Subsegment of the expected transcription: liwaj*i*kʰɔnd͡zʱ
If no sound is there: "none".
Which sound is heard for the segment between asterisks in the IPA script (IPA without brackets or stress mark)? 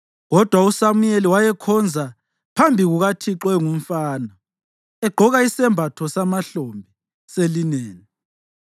ɛ